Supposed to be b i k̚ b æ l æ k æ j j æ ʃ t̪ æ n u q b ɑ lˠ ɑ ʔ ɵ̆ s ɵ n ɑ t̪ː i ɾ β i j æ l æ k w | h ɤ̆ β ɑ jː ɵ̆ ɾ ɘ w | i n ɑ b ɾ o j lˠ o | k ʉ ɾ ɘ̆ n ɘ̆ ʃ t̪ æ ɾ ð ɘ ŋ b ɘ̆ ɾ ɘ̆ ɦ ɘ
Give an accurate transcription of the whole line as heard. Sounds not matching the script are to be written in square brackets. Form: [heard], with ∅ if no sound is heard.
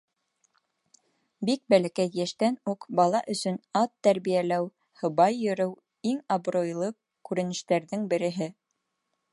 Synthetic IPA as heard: b i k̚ b æ l æ k æ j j æ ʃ t̪ æ n u q b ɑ lˠ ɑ ʔ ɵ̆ s ɵ n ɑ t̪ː [æ] ɾ β i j æ l æ [∅] w | h ɤ̆ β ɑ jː ɵ̆ ɾ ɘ w | i [ŋ] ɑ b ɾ o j lˠ [ɤ] | k ʉ ɾ ɘ̆ n ɘ̆ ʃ t̪ æ ɾ ð ɘ ŋ b ɘ̆ ɾ ɘ̆ ɦ ɘ